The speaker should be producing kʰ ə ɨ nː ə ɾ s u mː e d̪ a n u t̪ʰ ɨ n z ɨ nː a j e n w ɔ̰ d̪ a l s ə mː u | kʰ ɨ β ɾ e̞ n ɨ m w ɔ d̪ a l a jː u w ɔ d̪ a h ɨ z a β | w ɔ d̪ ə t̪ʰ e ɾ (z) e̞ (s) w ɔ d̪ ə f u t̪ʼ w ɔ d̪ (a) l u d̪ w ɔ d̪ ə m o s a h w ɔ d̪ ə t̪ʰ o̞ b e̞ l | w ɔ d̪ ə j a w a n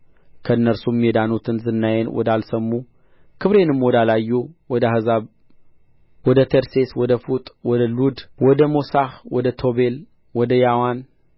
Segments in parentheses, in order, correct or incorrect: incorrect, correct, incorrect

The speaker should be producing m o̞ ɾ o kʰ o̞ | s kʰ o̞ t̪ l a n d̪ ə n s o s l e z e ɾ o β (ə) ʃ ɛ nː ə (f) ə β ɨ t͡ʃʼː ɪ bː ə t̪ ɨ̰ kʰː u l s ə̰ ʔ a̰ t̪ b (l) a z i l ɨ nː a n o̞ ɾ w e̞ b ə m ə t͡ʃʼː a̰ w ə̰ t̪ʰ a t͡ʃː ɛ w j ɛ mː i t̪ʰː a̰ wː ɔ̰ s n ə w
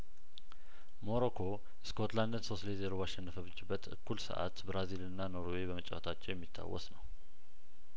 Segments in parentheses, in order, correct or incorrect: incorrect, correct, incorrect

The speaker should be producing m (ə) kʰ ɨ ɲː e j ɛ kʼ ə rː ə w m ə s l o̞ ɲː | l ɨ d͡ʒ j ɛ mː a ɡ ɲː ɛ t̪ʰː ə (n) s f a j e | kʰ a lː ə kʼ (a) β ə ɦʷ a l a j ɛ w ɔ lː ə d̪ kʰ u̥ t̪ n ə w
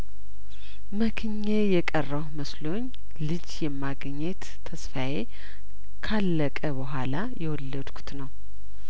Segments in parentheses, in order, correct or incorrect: correct, incorrect, incorrect

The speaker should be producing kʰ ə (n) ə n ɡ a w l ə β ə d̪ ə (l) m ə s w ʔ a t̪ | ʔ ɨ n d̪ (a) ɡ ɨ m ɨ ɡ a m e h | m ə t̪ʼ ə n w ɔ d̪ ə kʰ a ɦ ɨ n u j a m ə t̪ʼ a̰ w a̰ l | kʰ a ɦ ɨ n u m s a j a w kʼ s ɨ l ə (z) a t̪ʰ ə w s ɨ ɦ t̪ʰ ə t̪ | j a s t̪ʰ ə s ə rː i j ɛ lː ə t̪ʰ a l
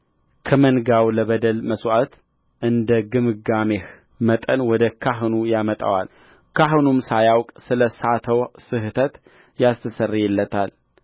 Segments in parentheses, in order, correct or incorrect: incorrect, correct, incorrect, incorrect

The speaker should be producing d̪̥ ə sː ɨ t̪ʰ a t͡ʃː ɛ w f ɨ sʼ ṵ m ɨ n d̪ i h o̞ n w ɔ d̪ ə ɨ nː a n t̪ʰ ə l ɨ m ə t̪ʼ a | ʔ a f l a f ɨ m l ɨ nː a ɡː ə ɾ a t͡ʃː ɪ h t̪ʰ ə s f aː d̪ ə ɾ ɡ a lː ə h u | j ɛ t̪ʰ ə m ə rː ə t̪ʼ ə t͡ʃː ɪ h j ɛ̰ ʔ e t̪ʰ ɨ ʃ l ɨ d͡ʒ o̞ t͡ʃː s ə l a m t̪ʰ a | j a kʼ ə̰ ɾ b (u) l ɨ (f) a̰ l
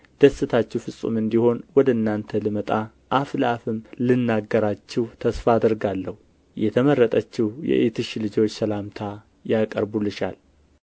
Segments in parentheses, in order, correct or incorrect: correct, incorrect

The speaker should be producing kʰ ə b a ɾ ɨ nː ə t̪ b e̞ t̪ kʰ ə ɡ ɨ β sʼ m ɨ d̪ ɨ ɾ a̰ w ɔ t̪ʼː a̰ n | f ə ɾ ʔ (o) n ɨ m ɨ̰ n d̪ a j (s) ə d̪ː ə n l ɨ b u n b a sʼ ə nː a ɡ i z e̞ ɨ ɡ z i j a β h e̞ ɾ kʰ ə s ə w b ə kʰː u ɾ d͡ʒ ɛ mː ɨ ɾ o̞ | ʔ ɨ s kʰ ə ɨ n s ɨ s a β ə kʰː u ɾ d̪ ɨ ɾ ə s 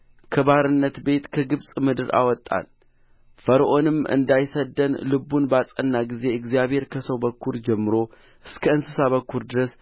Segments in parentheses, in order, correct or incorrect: correct, correct

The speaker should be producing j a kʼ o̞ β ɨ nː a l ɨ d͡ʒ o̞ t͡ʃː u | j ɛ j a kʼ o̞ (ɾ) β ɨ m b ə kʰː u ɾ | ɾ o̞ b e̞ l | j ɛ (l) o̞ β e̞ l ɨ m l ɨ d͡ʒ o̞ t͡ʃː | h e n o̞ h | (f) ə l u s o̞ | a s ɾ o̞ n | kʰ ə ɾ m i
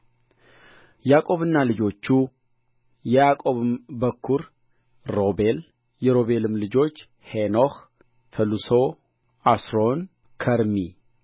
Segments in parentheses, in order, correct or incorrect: incorrect, incorrect, correct

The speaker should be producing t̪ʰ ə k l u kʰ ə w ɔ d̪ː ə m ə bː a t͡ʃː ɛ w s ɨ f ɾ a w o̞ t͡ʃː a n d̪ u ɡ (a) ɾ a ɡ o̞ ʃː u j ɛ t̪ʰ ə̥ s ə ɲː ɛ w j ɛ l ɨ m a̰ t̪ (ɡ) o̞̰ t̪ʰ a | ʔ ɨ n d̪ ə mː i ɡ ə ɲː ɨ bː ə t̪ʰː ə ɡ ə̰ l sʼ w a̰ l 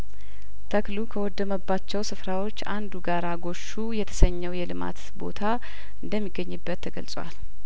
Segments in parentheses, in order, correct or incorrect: correct, incorrect

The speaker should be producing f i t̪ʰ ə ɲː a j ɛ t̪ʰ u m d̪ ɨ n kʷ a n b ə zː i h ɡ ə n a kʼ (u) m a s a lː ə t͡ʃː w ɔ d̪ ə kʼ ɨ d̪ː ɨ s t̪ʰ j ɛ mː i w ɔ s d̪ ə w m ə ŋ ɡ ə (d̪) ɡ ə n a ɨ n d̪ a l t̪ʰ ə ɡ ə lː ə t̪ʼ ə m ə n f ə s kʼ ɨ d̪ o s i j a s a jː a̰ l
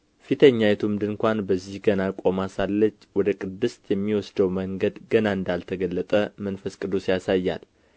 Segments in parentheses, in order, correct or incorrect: incorrect, correct

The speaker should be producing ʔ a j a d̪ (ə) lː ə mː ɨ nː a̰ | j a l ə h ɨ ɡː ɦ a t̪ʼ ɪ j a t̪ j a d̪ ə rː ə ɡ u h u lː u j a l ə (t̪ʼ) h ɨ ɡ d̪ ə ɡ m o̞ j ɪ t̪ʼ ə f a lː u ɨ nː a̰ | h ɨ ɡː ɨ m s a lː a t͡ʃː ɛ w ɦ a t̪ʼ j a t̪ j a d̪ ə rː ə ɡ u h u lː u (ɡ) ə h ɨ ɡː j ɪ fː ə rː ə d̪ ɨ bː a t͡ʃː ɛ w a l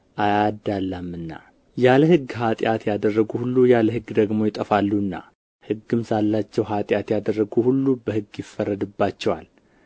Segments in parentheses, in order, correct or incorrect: incorrect, incorrect, incorrect

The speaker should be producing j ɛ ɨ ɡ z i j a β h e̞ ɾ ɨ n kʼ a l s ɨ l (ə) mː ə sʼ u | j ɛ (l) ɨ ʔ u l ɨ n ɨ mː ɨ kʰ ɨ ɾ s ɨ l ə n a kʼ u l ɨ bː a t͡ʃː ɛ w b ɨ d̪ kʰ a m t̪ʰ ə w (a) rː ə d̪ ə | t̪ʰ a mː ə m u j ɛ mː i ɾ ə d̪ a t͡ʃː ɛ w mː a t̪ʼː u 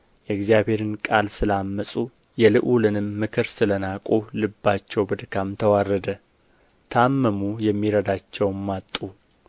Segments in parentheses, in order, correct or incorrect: incorrect, correct, correct

